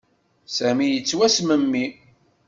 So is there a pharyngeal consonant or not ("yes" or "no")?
no